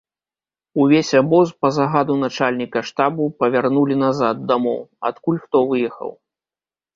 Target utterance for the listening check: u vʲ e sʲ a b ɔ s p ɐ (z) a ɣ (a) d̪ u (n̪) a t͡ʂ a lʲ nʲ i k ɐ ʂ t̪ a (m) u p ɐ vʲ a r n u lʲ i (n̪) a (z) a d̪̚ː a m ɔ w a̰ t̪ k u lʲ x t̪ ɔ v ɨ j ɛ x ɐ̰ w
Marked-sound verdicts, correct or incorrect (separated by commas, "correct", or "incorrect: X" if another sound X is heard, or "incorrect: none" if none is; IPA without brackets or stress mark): correct, correct, correct, incorrect: b, correct, correct